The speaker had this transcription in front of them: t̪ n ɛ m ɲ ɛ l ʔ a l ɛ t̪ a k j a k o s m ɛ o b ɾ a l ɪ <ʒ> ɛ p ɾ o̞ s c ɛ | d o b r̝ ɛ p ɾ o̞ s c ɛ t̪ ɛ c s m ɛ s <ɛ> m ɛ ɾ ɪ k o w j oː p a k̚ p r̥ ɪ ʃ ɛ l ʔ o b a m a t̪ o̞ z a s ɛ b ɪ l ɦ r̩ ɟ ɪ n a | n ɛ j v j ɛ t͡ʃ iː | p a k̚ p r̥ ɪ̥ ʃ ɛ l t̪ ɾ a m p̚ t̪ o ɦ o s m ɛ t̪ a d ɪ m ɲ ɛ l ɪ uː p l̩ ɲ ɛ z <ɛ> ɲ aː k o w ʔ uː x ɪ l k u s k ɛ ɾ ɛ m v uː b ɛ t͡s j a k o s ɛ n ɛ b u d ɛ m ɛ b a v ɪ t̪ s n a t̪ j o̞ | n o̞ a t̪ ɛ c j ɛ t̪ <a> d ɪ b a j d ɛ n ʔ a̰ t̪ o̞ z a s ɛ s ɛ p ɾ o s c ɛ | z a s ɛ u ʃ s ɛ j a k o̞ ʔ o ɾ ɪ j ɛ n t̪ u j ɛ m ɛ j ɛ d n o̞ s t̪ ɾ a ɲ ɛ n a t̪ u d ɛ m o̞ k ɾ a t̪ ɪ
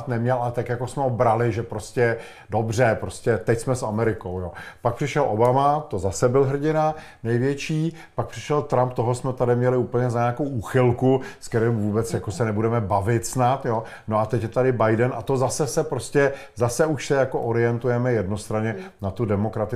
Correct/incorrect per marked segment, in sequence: correct, incorrect, incorrect, correct

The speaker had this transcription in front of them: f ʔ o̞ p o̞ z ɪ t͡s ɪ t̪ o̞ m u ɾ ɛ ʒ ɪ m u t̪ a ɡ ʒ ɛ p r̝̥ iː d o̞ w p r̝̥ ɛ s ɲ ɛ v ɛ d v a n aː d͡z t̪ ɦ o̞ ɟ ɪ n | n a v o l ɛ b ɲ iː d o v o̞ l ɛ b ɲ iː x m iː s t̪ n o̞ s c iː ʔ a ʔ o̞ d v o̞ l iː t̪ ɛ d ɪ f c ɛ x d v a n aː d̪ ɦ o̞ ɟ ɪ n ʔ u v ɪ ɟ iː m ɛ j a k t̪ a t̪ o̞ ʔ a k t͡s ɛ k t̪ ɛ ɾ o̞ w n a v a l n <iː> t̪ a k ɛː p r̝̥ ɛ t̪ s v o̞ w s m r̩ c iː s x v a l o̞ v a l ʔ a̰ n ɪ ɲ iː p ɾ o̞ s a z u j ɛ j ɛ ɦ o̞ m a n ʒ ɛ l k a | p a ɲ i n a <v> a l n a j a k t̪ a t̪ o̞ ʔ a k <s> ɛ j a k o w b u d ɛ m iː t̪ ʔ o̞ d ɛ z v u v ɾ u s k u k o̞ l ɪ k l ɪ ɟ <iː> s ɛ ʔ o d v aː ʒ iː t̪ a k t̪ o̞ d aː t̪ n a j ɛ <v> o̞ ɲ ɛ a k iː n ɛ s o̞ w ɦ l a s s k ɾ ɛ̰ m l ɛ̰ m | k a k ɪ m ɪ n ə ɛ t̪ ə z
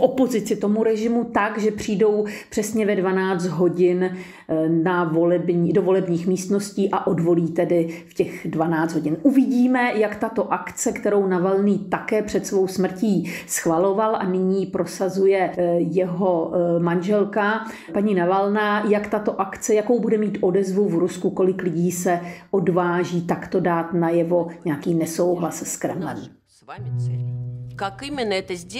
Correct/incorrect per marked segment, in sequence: correct, correct, incorrect, correct, correct

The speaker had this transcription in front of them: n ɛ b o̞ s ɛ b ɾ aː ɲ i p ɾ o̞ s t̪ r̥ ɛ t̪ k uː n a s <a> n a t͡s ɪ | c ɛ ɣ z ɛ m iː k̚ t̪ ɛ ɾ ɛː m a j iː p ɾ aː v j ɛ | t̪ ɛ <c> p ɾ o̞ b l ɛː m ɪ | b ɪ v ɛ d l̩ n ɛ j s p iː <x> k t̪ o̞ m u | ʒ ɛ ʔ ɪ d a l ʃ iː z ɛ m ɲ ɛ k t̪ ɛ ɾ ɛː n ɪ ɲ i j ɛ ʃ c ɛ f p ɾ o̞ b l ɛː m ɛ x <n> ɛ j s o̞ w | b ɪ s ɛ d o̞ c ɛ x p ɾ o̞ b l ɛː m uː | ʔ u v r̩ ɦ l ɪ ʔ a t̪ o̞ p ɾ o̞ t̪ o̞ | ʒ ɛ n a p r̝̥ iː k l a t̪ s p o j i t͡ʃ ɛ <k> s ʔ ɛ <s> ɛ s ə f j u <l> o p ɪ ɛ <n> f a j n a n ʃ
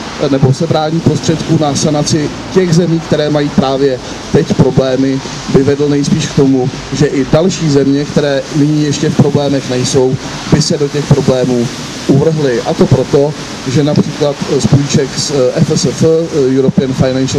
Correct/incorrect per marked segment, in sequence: correct, correct, incorrect, correct, correct, incorrect, incorrect, correct

